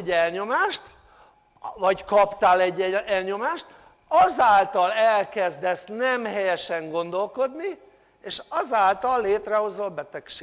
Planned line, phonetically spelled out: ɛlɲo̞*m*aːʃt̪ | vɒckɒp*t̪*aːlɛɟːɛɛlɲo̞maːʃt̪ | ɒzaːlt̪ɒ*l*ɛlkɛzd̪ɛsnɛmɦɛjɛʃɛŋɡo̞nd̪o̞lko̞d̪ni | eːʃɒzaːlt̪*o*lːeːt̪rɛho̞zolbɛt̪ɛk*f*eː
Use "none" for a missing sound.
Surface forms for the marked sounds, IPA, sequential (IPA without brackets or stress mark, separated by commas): m, t̪, l, ɒ, ʃ